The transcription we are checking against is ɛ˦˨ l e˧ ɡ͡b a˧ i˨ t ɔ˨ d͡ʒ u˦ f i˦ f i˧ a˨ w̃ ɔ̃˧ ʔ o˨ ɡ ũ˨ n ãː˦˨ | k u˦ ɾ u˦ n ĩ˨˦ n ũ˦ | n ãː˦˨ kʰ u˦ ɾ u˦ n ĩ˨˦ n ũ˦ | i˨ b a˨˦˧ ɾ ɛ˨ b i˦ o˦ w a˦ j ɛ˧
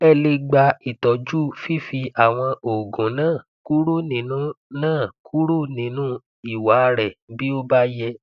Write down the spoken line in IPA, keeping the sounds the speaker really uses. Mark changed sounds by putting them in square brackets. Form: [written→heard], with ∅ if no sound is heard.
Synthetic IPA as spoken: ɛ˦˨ l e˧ ɡ͡b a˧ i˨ t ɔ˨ d͡ʒ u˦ f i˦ f i˧ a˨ w̃ ɔ̃˧ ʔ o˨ ɡ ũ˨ n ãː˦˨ | k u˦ ɾ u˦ n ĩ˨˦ n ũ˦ | n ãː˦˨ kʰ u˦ ɾ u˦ n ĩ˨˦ n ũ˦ | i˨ [b→w] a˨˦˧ ɾ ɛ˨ b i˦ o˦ [w→b] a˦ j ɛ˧